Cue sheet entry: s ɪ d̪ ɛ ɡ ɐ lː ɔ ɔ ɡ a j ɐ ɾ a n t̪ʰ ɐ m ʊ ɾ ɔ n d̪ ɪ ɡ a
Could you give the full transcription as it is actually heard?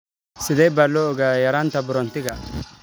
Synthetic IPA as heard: s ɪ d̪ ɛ b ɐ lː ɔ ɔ ɡ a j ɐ ɾ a n t̪ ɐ b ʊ ɾ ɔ n t̪ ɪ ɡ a